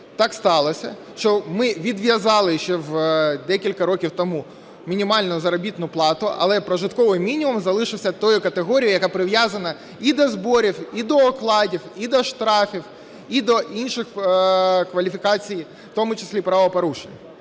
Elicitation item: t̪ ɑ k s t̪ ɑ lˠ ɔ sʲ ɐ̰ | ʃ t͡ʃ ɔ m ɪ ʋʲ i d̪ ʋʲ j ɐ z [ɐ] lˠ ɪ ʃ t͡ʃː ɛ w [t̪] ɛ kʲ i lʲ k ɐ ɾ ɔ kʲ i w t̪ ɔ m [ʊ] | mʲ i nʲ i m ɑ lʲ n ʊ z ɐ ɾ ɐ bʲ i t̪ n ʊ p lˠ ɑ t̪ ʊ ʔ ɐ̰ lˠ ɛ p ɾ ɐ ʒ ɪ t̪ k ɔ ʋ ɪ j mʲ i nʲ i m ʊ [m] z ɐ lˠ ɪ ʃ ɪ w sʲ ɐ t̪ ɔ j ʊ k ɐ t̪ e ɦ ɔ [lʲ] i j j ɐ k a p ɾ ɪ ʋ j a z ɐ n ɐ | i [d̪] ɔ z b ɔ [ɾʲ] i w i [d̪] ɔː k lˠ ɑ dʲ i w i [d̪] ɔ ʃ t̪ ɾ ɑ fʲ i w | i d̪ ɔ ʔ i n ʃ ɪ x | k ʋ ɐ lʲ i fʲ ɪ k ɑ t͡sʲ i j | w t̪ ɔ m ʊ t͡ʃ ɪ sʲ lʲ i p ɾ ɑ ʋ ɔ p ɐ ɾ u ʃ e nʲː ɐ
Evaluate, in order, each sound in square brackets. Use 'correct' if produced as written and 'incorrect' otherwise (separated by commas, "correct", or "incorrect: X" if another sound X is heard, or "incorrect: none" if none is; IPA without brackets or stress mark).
incorrect: ɑ, incorrect: d̪, incorrect: u, correct, incorrect: ɾʲ, correct, correct, correct, correct